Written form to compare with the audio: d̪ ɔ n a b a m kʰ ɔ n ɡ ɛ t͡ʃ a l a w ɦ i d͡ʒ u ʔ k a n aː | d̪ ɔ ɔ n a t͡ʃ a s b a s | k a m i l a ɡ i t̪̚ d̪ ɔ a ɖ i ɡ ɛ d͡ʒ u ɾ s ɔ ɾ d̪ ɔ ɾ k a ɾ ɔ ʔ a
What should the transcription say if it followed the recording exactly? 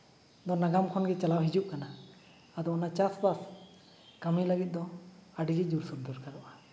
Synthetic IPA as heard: d̪ ɔ n a ɡ a m kʰ ɔ n ɡ ɛ t͡ʃ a l a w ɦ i d͡ʒ u ʔ k a n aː | d̪ ɔ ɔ n a t͡ʃ a s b a s | k a m i l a ɡ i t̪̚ d̪ ɔ a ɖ i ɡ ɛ d͡ʒ u ɾ s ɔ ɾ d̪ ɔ ɾ k a ɾ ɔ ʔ a

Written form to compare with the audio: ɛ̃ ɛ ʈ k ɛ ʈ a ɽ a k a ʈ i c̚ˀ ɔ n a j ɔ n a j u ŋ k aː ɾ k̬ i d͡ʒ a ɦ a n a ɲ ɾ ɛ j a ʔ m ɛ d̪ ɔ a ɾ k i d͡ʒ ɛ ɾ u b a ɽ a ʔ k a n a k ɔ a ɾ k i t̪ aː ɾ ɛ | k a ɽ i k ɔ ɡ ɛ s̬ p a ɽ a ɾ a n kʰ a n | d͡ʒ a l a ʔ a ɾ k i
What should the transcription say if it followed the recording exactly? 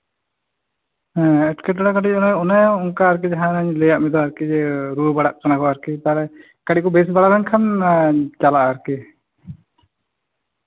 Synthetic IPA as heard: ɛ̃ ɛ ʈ k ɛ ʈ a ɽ a k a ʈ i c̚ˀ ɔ n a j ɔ n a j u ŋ k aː ɾ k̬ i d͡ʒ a ɦ a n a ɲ l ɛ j a ʔ m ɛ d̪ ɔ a ɾ k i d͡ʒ ɛ ɾ u b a ɽ a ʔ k a n a k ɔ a ɾ k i t̪ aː ɾ ɛ | k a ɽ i k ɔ b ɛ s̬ b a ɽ a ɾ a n kʰ a n | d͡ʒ a l a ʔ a ɾ k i

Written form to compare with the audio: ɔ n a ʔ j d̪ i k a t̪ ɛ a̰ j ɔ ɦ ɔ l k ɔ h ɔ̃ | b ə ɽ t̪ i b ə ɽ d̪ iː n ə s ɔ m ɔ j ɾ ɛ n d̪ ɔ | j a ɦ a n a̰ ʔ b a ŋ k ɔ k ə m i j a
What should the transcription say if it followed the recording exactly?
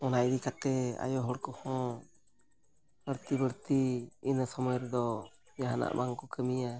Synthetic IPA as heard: ɔ n a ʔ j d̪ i k a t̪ ɛ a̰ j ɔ ɦ ɔ ɽ k ɔ h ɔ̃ | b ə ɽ t̪ i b ə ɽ t̪ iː n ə s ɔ m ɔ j ɾ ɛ d̪ ɔ | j a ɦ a n a̰ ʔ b a ŋ k ɔ k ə m i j a

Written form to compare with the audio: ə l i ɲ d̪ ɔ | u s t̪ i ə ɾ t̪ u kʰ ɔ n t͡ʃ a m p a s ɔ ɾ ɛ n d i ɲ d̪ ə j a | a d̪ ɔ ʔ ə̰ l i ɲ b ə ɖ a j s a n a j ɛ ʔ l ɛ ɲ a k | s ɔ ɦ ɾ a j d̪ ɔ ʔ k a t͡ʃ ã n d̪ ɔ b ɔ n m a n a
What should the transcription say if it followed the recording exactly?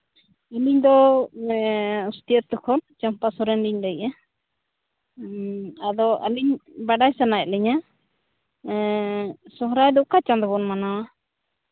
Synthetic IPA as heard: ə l i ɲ d̪ ɔ | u s t̪ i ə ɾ t̪ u kʰ ɔ n t͡ʃ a m p a s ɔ ɾ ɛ n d i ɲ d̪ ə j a | a d̪ ɔ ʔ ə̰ l i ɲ b a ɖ a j s a n a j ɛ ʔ l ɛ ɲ a | s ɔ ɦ ɾ a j d̪ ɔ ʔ k a t͡ʃ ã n d̪ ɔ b ɔ n m a n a

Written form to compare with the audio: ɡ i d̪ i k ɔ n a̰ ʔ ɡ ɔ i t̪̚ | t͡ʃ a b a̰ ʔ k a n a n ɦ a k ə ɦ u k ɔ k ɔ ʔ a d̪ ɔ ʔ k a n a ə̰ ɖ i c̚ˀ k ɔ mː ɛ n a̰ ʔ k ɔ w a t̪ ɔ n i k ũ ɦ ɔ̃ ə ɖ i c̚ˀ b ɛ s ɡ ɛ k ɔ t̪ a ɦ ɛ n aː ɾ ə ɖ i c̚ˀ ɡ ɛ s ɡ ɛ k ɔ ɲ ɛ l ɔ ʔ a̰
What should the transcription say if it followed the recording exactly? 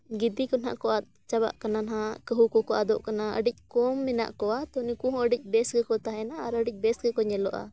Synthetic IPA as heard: ɡ i d̪ i k ɔ n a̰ ʔ k ɔ a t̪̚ | t͡ʃ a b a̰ ʔ k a n a n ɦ a k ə ɦ u k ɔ k ɔ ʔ a d̪ ɔ ʔ k a n a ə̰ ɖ i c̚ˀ k ɔ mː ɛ n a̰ ʔ k ɔ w a t̪ ɔ n i k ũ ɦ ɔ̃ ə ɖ i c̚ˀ b ɛ s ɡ ɛ k ɔ t̪ a ɦ ɛ n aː ɾ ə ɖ i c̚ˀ b ɛ s ɡ ɛ k ɔ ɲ ɛ l ɔ ʔ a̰

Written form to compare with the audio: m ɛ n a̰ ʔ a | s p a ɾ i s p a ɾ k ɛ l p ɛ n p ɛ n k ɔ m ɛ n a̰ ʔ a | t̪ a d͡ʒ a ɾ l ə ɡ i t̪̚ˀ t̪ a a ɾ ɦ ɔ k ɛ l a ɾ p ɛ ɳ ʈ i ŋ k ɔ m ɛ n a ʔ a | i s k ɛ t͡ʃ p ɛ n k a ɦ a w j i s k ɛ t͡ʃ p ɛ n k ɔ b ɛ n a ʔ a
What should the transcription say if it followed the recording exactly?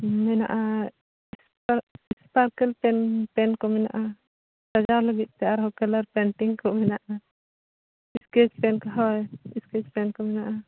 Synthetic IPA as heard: m ɛ n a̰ ʔ a | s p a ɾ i s p a ɾ k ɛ l p ɛ n p ɛ n k ɔ m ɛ n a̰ ʔ a | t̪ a d͡ʒ a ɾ l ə ɡ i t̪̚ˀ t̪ ɛ a ɾ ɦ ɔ k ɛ l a ɾ p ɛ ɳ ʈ i ŋ k ɔ m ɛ n a ʔ a | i s k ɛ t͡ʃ p ɛ n k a ɦ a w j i s k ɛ t͡ʃ p ɛ n k ɔ m ɛ n a ʔ a

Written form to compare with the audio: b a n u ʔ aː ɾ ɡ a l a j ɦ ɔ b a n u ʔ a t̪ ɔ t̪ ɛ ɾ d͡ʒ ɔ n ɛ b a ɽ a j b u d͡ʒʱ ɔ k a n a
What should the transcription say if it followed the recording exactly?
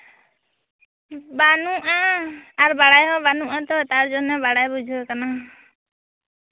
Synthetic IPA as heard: b a n u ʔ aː ɾ b a ɽ a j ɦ ɔ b a n u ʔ a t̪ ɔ t̪ a ɾ d͡ʒ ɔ n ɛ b a ɽ a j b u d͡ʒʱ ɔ k a n a

